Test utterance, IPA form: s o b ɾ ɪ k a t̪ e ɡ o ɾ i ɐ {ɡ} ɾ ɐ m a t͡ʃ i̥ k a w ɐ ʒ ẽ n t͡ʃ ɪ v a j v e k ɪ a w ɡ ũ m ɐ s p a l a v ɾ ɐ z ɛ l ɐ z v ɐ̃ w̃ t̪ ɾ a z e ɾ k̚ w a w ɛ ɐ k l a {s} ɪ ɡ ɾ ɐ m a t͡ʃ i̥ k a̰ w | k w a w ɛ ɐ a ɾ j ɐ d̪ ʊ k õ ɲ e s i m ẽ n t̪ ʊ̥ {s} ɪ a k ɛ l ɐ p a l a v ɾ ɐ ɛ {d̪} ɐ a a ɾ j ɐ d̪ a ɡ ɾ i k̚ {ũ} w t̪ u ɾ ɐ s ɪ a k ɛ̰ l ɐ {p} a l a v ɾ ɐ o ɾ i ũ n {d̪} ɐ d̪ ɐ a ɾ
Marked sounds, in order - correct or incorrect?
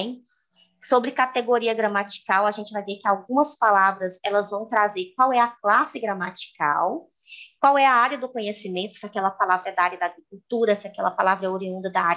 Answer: correct, correct, correct, correct, incorrect: u, correct, correct

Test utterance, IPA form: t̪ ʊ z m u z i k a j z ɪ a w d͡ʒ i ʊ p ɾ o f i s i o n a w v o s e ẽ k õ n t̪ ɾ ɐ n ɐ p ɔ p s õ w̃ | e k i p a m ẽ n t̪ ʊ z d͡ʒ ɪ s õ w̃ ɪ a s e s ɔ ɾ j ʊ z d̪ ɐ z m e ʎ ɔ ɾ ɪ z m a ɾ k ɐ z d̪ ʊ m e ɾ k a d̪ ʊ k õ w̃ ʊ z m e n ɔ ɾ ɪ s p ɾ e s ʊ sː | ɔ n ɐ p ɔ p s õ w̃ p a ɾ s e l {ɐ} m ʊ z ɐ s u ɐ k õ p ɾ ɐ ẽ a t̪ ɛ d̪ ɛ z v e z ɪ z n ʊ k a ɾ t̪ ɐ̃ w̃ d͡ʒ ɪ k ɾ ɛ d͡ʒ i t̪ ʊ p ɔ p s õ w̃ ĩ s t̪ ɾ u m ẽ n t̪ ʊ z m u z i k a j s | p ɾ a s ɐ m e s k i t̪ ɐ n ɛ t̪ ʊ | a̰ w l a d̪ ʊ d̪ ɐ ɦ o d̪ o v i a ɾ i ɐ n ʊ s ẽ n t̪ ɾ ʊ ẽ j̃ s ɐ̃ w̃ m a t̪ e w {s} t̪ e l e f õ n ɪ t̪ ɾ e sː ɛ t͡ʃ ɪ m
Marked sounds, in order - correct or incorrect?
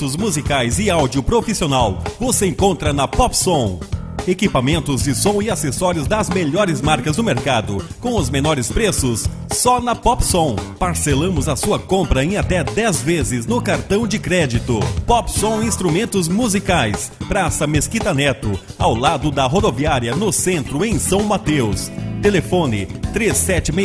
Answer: incorrect: ɐ̃, correct

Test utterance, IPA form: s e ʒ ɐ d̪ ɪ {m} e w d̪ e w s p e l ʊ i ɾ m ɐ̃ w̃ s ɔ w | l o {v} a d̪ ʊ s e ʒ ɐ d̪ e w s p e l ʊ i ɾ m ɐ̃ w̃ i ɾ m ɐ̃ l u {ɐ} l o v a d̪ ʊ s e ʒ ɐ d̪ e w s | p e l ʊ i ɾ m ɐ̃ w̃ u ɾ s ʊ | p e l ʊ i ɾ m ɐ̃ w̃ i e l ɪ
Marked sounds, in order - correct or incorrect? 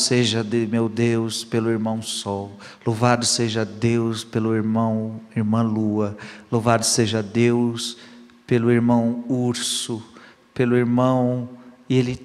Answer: correct, correct, correct

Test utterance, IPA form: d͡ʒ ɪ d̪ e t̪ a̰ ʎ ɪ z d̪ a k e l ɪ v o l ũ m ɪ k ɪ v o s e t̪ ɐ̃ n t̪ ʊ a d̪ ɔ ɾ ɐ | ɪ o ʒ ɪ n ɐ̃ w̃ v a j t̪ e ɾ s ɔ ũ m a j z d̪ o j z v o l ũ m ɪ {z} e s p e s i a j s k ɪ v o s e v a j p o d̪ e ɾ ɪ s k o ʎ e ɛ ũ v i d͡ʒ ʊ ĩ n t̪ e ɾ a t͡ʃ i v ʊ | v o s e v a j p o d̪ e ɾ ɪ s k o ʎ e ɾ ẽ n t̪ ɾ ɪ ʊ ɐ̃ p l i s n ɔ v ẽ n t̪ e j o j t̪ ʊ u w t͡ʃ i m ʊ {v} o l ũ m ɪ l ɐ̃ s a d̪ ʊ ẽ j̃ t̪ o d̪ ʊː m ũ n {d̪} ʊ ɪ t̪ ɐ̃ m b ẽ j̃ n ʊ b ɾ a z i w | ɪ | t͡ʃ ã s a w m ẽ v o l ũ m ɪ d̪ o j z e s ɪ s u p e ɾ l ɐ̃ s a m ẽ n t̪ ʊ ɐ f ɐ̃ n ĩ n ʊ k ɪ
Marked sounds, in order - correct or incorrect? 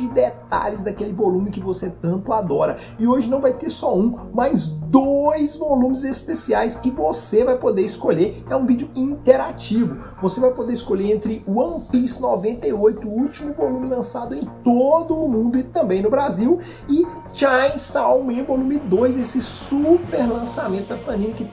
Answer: correct, correct, correct

